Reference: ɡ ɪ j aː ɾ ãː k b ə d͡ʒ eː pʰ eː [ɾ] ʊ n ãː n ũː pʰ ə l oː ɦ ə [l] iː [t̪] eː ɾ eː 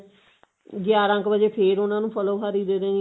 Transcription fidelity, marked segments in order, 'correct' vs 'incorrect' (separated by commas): correct, incorrect, incorrect